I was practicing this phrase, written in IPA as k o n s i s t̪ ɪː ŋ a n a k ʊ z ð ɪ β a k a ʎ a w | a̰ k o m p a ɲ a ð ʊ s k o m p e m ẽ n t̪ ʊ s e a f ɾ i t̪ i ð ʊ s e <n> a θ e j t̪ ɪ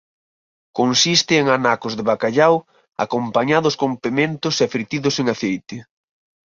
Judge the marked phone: incorrect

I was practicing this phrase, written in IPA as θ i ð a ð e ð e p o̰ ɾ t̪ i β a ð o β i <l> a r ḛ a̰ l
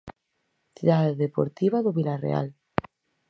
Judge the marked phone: correct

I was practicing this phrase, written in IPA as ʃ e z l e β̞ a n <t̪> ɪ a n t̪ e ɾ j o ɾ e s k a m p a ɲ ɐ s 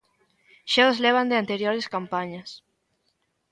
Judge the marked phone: incorrect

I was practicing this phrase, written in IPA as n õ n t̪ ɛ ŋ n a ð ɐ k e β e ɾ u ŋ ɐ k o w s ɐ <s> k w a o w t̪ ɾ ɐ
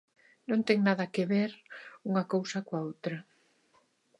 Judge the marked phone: incorrect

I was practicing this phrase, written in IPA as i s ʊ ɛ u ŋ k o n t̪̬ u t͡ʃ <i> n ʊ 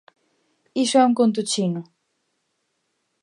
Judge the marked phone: correct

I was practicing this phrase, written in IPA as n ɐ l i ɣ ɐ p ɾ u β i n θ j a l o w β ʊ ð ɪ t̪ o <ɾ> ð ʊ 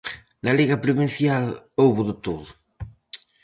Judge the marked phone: incorrect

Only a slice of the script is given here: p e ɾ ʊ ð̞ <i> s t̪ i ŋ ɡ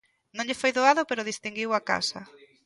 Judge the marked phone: correct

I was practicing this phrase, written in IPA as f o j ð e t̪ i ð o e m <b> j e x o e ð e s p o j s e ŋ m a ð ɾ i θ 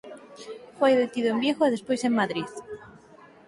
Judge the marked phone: correct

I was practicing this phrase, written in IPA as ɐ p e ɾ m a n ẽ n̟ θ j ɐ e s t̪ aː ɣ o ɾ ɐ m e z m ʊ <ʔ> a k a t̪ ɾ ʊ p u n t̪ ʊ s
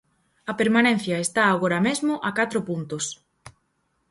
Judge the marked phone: correct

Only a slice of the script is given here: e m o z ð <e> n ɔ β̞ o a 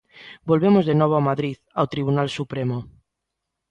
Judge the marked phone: correct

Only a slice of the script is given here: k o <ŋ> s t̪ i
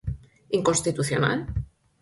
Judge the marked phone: incorrect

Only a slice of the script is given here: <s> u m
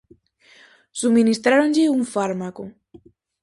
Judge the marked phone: correct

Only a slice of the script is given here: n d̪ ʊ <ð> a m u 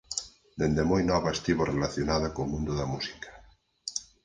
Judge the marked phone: correct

